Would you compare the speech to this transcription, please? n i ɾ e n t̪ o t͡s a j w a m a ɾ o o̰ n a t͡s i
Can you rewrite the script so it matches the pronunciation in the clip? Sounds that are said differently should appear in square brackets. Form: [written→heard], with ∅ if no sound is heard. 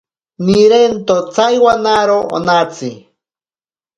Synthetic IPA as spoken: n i ɾ e n t̪ o t͡s a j w a [m→n] a ɾ o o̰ n a t͡s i